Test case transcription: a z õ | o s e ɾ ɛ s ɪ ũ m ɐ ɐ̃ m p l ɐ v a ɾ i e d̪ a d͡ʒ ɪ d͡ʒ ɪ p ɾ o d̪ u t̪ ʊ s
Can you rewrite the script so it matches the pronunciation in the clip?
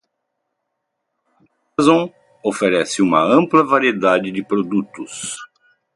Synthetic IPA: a z õ | o f e ɾ ɛ s ɪ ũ m ɐ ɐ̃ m p l ɐ v a ɾ i e d̪ a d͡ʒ ɪ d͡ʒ ɪ p ɾ o d̪ u t̪ ʊ s